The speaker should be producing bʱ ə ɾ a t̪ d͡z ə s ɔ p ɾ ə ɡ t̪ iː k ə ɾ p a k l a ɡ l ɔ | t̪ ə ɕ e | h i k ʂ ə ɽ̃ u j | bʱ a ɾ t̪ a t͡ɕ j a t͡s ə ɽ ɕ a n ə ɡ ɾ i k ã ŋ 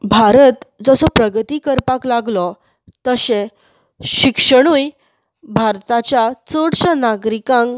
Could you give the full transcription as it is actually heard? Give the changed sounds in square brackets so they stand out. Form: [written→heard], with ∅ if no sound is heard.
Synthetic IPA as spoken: bʱ [ə→a] ɾ [a→ə] t̪ d͡z ə s ɔ p ɾ ə ɡ t̪ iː k ə ɾ p a k l a ɡ l ɔ | t̪ ə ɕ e | [h→ɕ] i k ʂ ə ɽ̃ u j | bʱ a ɾ t̪ a t͡ɕ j a t͡s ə ɽ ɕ a n [ə→a] ɡ ɾ i k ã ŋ